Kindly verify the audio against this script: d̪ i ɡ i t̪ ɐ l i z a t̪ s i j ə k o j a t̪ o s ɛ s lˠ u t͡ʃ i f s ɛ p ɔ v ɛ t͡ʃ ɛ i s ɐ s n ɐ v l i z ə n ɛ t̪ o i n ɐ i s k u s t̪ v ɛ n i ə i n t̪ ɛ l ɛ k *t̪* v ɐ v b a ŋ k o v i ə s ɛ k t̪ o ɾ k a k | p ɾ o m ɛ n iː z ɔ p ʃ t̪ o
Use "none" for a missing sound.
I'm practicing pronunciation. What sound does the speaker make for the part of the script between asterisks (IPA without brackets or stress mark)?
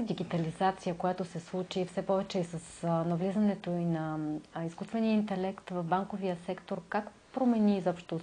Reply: t̪